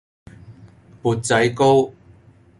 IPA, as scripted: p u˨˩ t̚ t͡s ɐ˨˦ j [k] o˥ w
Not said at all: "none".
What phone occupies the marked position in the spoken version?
k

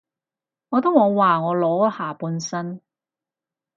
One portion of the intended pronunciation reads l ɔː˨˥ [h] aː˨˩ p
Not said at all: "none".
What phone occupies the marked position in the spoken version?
h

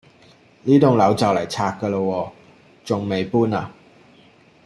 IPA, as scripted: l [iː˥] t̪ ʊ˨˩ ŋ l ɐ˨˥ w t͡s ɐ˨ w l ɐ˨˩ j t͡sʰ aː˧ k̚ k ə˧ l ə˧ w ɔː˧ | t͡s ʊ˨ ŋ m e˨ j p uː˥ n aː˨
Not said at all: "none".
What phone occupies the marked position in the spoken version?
iː˥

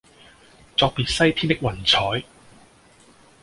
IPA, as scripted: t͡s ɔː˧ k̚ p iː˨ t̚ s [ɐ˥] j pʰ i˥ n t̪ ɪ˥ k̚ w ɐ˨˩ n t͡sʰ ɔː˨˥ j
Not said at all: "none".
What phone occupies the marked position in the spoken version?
ɐ˥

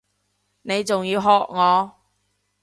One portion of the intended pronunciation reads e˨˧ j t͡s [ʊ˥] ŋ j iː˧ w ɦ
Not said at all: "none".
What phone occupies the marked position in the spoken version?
ʊ˨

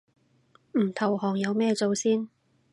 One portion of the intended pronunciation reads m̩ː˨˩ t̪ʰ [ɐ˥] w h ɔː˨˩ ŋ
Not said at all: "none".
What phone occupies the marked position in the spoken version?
ɐ˨˩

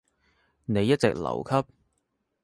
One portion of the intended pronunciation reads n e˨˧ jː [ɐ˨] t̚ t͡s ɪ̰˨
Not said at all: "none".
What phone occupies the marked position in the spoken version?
ɐ˥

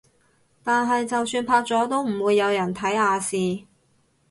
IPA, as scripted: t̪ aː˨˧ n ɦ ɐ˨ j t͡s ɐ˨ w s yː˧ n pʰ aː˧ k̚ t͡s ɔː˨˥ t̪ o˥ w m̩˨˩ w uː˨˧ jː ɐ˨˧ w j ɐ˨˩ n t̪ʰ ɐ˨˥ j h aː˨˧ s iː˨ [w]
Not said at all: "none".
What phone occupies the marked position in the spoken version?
none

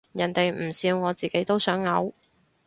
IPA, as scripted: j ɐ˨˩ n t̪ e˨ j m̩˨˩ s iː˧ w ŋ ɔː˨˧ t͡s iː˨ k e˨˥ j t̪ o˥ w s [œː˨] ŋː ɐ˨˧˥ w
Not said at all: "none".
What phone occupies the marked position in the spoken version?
œː˨˥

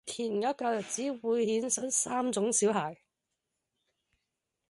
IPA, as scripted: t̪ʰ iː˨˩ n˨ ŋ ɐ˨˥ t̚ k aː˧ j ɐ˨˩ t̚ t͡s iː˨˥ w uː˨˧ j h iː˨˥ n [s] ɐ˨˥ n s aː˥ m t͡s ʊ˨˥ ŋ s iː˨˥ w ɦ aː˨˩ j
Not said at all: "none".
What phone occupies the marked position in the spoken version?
s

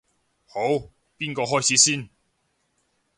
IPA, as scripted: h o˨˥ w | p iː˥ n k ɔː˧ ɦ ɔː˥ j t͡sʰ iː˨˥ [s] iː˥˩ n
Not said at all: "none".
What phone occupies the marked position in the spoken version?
s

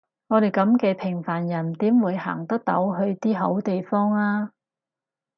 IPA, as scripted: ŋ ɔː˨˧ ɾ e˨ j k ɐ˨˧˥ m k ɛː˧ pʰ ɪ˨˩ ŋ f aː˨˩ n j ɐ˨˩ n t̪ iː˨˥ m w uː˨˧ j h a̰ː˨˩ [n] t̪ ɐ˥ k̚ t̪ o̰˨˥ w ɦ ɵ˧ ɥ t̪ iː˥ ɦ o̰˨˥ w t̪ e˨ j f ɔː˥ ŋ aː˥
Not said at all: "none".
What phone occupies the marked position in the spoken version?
ŋ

